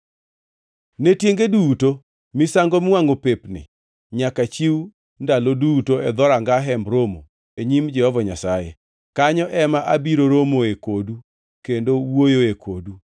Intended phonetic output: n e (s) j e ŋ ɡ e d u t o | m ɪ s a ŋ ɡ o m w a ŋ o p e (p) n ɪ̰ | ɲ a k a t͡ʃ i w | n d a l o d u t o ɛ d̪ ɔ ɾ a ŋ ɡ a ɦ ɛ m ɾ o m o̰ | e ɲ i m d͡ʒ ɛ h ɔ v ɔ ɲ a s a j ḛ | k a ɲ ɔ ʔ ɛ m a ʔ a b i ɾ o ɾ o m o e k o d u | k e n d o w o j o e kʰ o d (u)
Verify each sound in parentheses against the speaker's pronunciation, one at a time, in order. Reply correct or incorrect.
incorrect, correct, correct

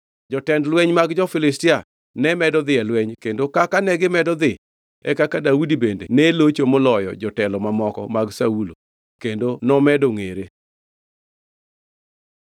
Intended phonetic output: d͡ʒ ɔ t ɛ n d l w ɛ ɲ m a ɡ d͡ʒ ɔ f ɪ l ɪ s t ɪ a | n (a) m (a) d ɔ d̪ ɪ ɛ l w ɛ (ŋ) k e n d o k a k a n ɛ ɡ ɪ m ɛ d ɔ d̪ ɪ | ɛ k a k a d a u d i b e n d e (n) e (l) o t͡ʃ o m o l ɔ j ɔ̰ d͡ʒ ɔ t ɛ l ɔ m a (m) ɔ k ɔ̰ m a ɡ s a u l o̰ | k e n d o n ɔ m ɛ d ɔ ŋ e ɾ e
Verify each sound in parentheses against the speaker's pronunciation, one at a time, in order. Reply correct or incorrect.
incorrect, incorrect, incorrect, correct, correct, correct

